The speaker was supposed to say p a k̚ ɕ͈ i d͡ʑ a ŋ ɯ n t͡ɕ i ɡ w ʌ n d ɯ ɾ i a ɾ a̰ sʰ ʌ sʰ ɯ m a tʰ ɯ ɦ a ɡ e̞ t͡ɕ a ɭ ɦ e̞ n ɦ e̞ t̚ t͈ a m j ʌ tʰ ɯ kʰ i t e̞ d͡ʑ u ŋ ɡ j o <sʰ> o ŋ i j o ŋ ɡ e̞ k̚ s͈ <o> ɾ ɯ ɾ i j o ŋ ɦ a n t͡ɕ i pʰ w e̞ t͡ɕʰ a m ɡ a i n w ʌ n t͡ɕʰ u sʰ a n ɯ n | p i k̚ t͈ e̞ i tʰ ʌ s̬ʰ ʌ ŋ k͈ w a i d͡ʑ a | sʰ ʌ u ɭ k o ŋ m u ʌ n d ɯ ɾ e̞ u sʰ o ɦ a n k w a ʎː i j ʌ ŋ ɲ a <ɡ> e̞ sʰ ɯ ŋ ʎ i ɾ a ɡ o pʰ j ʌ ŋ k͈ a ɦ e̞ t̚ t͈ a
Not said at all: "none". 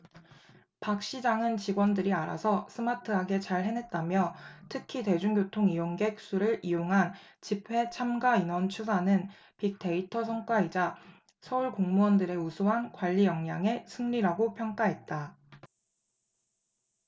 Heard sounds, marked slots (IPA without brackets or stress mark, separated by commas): tʰ, u, ŋ